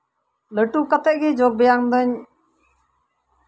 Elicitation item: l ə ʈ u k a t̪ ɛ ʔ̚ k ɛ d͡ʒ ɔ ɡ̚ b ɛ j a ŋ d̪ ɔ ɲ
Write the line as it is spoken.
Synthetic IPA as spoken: l ə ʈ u k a t̪ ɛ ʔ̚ ɡ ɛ d͡ʒ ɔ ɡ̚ b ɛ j a ŋ d̪ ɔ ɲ